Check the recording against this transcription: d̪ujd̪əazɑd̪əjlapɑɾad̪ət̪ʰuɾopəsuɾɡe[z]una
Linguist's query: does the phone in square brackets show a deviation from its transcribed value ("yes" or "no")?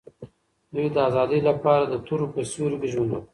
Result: yes